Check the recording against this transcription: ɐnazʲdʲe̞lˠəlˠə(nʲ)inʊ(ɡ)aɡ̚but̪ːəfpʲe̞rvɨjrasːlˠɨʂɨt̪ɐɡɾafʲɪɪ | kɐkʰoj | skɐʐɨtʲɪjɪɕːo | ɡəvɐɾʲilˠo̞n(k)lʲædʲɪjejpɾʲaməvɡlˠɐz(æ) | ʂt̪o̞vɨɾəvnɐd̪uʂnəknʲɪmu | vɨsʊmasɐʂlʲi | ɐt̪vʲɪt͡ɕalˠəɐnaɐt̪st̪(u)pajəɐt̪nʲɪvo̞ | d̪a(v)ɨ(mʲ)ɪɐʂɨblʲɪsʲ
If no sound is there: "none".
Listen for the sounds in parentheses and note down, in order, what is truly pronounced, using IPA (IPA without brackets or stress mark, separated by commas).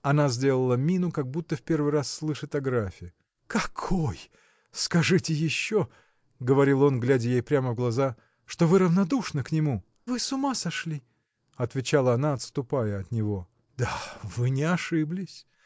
mʲ, k, ɡ, a, ʊ, v, nʲ